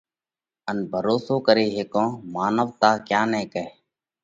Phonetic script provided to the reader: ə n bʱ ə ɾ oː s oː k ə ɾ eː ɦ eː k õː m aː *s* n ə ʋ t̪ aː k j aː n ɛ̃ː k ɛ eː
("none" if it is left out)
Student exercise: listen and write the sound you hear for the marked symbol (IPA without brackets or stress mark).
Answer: none